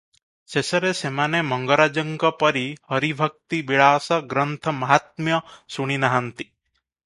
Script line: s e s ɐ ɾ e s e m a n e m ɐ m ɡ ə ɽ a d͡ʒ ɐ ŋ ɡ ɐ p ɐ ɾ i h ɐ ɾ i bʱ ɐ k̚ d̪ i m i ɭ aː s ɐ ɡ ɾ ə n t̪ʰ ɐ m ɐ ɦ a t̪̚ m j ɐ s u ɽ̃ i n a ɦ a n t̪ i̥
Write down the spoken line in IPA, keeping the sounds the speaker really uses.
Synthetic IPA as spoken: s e s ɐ ɾ e s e m a n e m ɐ ŋ ɡ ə ɾ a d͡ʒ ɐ ŋ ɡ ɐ p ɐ ɾ i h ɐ ɾ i bʱ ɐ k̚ t̪ i b i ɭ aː s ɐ ɡ ɾ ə n t̪ʰ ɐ m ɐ ɦ a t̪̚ m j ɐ s u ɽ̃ i n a ɦ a n t̪ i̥